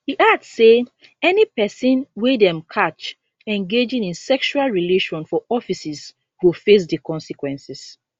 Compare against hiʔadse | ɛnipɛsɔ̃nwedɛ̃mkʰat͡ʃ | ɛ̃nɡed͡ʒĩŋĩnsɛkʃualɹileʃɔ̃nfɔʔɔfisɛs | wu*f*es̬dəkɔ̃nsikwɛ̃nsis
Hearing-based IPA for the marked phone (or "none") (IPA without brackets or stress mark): f